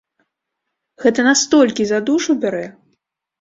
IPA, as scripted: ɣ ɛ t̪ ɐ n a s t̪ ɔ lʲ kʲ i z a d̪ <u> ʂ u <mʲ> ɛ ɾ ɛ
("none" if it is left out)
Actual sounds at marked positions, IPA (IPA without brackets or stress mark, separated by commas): u, bʲ